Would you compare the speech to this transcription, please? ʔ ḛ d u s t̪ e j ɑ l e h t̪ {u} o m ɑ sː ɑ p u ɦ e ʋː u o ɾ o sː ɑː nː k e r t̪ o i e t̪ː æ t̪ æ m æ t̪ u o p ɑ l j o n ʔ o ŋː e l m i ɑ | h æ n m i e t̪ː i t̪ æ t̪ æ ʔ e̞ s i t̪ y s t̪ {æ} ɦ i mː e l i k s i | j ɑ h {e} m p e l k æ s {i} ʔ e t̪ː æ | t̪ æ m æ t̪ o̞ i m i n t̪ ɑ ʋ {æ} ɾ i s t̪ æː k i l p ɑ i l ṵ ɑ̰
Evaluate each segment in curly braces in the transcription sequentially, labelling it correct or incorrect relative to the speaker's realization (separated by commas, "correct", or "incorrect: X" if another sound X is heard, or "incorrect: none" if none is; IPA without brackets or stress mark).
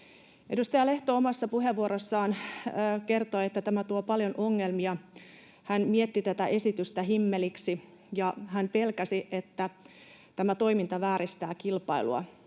incorrect: o, correct, incorrect: æ, correct, incorrect: æː